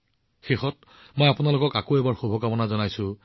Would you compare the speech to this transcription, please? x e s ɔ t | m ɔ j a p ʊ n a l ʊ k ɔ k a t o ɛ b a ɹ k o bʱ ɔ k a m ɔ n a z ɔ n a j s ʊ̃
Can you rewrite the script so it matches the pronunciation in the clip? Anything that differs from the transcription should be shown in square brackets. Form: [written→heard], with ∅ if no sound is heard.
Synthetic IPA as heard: x e [s→x] ɔ t | m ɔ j a p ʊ n a l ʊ k ɔ k a [t→k] o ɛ b a ɹ [k→x] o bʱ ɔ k a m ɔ n a z ɔ n a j s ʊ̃